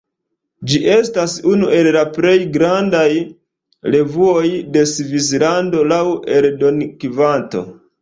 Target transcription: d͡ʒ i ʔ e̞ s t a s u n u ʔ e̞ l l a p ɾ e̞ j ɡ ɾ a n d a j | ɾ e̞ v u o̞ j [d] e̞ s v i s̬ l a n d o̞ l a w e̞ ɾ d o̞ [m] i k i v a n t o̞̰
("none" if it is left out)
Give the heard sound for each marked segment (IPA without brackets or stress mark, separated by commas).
d, n